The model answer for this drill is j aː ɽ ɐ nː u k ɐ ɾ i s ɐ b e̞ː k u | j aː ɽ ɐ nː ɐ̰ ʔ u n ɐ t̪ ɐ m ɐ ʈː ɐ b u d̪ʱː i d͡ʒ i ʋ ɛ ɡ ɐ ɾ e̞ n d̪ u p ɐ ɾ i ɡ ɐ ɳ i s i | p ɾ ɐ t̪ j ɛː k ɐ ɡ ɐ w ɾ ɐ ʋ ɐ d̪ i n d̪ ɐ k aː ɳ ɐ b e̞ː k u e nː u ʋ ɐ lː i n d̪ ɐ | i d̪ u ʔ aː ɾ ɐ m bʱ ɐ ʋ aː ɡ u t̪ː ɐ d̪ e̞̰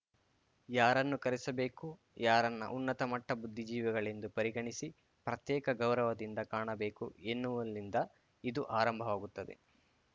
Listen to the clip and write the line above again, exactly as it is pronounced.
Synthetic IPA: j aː ɾ ɐ nː u k ɐ ɾ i s ɐ b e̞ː k u | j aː ɾ ɐ nː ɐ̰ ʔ u nː ɐ t̪ ɐ m ɐ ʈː ɐ b u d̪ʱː i d͡ʒ iː ʋ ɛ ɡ ɐ ɭ e̞ n d̪ u p ɐ ɾ i ɡ ɐ ɳ i s i | p ɾ ɐ t̪ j ɛː k ɐ ɡ ɐ w ɾ ɐ ʋ ɐ d̪ i n d̪ ɐ k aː ɳ ɐ b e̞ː k u e nː u ʋ ɐ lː i n d̪ ɐ | i d̪ u ʔ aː ɾ ɐ m bʱ ɐ ʋ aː ɡ u t̪ː ɐ d̪ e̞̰